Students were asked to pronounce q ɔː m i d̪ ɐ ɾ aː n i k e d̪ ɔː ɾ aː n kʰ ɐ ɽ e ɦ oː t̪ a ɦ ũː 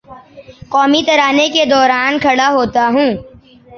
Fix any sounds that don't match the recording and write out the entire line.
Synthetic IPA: q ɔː m i t̪ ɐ ɾ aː n e k e d̪ ɔː ɾ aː n kʰ ɐ ɽ a ɦ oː t̪ a ɦ ũː